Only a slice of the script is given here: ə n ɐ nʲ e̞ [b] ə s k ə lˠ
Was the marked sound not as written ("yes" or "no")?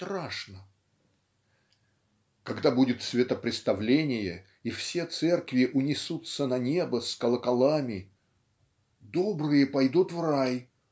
no